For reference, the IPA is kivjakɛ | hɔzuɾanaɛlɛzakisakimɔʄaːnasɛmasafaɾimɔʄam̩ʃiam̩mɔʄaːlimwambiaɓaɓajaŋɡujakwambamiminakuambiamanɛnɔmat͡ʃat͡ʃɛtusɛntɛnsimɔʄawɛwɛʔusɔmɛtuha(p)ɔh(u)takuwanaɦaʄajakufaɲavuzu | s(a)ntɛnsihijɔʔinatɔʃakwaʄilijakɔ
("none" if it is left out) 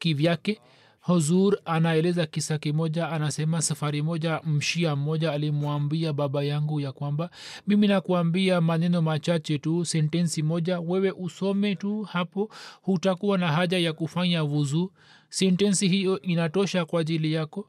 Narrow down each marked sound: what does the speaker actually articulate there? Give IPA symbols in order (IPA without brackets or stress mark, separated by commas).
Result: p, u, ɛ